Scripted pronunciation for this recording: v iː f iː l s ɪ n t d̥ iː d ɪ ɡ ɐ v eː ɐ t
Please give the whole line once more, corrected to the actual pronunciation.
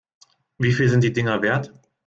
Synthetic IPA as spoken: v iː f iː l z ɪ n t d̥ iː d ɪ ŋ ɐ v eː ɐ t